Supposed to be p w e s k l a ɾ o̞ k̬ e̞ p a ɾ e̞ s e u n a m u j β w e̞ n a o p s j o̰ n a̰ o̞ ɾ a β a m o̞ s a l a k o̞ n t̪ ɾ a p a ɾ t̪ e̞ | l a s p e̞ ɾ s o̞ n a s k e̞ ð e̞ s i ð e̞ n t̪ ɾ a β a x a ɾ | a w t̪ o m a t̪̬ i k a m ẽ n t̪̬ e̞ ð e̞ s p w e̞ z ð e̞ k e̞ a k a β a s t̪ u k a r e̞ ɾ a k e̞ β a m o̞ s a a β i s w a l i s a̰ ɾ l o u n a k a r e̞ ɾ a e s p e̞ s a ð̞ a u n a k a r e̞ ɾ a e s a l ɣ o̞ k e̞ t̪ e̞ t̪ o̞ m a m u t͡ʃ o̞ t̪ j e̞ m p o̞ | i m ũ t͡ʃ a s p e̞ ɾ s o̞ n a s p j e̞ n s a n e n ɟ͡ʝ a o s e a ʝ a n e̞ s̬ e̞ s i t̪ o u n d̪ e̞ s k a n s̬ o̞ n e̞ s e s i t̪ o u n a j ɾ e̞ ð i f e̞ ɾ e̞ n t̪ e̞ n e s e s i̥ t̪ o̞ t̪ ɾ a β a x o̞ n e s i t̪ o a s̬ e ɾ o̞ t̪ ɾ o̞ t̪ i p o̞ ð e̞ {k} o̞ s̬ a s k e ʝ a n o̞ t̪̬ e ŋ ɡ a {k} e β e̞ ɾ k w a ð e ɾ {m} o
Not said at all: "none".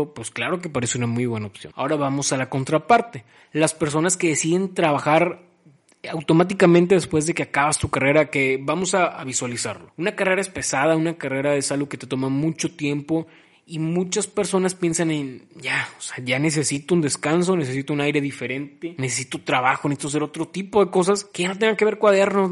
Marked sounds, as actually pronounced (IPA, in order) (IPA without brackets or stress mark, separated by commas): k, k, n